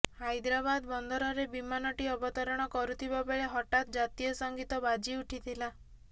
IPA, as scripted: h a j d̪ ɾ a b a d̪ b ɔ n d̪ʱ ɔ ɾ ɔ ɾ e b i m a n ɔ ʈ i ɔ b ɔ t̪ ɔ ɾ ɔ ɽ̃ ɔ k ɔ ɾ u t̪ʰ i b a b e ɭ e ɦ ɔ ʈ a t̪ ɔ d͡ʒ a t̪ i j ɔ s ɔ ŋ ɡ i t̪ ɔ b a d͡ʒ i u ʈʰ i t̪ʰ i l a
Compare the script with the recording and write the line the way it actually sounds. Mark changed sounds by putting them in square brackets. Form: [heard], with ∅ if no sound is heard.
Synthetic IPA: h a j d̪ ɾ a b a d̪ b ɔ n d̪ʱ ɔ ɾ ɔ ɾ e b i m a n ɔ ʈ i ɔ b ɔ t̪ ɔ ɾ ɔ ɽ̃ ɔ k ɔ ɾ u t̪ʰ i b a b e ɭ e ɦ ɔ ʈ a t̪ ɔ d͡ʒ a t̪ i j ɔ s ɔ ŋ ɡ i t̪ ɔ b a d͡ʒ i u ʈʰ i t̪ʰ i l a